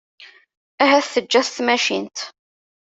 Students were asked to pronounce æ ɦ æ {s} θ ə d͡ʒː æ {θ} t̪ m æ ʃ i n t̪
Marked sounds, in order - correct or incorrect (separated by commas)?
incorrect, correct